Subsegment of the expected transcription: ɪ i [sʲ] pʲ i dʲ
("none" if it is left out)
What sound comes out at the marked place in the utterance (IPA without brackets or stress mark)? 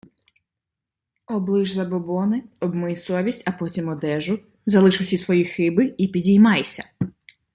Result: none